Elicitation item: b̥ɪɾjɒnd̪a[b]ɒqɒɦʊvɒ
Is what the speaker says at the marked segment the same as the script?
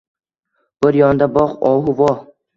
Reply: yes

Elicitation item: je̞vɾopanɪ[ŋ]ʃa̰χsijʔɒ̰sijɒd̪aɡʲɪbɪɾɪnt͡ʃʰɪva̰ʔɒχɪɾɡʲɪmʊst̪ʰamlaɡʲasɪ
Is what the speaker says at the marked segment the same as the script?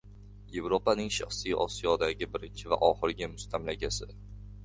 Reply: yes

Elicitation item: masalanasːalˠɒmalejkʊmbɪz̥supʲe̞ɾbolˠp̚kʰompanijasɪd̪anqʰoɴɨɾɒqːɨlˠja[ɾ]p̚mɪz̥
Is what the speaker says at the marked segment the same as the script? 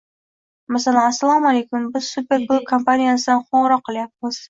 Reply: no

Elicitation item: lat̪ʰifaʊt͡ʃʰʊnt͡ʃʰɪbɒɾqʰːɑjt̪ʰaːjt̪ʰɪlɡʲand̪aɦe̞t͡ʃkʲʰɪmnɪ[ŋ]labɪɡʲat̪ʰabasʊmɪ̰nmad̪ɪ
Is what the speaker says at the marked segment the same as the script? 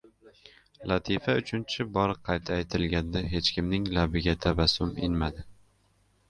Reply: yes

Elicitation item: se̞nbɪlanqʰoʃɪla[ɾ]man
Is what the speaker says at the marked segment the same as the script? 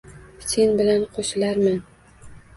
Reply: yes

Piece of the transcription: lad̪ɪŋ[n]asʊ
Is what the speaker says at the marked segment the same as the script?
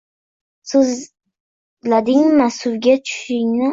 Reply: no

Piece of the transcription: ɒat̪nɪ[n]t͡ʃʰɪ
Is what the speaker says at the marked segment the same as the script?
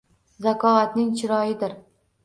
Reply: no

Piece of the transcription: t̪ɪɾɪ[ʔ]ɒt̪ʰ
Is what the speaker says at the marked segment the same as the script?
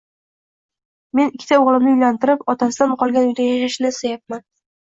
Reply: no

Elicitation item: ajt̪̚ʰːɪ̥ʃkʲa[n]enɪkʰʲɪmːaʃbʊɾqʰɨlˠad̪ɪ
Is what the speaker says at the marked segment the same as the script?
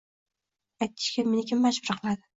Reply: no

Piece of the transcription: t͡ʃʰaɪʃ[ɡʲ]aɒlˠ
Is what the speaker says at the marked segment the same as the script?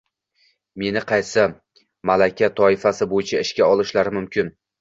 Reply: no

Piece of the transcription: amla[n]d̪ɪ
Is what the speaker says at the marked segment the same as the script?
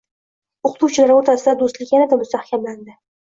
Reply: yes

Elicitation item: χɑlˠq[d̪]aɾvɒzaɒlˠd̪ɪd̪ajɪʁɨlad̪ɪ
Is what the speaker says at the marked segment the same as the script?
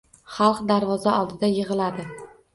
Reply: yes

